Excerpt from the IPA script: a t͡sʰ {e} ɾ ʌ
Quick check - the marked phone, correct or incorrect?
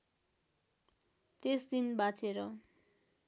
correct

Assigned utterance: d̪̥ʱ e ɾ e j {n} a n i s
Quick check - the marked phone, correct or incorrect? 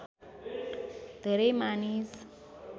incorrect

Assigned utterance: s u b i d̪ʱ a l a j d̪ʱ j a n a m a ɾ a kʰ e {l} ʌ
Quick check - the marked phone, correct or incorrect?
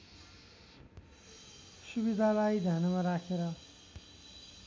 incorrect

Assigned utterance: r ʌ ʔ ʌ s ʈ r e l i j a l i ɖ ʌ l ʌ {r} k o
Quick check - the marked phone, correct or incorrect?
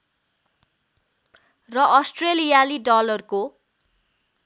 correct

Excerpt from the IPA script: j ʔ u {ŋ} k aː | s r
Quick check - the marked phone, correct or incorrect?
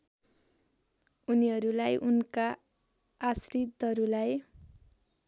incorrect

